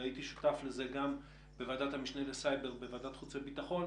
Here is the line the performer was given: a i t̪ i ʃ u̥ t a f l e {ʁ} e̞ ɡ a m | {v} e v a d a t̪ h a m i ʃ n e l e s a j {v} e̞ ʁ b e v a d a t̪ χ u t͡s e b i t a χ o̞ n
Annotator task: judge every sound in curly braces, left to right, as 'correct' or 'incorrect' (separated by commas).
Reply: incorrect, incorrect, incorrect